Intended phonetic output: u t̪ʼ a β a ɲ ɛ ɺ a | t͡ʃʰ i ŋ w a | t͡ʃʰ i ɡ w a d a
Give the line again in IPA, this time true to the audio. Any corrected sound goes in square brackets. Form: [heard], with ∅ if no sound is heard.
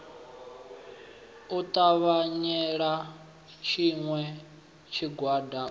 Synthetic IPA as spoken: u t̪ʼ a β a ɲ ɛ ɺ a | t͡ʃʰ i ŋ w [ɛ] | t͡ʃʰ i ɡ w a d a

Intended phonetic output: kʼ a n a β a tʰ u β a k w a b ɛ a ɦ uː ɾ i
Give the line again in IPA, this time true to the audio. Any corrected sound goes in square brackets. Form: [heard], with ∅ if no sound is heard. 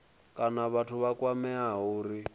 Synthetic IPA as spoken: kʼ a n a β a tʰ u β a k w a [m] ɛ a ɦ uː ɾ i

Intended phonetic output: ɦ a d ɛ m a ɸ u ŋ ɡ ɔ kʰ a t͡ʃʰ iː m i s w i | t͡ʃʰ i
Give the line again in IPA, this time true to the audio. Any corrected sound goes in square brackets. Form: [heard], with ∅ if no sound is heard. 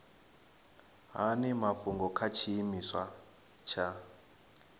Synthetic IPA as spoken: ɦ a [n] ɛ m a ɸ u ŋ ɡ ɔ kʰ a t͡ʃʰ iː m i s w [a] | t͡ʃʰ [a]

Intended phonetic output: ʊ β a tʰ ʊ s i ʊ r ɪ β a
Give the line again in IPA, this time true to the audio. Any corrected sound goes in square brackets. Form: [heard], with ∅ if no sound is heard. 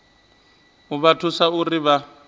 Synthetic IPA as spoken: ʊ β a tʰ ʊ s [a] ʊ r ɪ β a

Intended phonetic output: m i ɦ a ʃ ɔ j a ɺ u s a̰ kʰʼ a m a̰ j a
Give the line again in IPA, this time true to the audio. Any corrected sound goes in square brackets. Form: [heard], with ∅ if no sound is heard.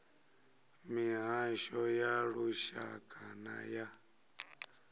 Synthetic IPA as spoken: m i ɦ a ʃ ɔ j a ɺ u [ʃ] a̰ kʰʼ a [n] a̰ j a

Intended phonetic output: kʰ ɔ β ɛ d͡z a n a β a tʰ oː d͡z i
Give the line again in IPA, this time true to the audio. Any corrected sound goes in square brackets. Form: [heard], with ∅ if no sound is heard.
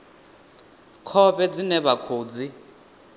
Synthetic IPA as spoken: kʰ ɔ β ɛ d͡z [i] n [ɛ] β a [kʰ] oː d͡z i

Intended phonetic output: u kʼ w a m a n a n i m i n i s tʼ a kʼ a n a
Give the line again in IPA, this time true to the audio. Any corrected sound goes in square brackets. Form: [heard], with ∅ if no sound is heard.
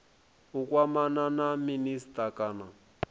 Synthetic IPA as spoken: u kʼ w a m a n a n [a] m i n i s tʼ a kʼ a n a

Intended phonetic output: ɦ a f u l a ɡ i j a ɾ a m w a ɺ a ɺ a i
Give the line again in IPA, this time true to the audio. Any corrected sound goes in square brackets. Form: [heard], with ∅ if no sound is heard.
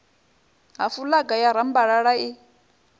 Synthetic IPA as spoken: ɦ a f u l a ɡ [a] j a ɾ a m [b] a ɺ a ɺ a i

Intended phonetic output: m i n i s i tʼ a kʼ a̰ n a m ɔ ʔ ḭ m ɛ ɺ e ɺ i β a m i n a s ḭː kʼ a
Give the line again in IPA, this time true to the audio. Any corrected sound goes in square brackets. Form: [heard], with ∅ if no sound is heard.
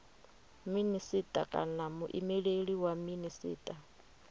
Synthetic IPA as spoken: m i n i s i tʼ a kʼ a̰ n a m [u] ʔ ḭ m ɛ ɺ e ɺ i [w] a m i n [i] s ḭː [tʼ] a

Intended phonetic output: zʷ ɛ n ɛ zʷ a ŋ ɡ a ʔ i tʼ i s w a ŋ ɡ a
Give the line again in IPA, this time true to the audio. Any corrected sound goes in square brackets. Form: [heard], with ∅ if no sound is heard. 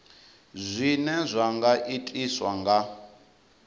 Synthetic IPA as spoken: zʷ [i] n ɛ zʷ a ŋ ɡ a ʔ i tʼ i s w a ŋ ɡ a

